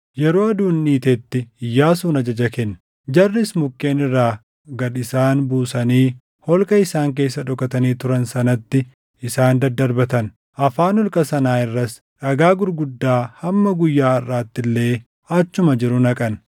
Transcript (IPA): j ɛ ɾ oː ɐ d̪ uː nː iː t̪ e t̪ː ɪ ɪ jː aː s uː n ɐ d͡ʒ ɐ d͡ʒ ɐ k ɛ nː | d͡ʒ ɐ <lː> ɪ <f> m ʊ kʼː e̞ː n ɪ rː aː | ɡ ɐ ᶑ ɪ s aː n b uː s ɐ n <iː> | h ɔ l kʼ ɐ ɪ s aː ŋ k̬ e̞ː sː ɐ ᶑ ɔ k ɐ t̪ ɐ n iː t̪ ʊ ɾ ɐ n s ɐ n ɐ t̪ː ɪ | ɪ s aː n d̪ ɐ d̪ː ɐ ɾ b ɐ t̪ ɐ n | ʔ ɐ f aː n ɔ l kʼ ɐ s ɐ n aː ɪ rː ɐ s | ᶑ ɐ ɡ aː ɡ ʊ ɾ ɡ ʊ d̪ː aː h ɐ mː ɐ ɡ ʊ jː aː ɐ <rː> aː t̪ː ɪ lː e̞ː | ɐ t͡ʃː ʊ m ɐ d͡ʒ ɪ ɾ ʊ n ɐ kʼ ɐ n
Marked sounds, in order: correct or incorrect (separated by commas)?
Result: incorrect, incorrect, correct, correct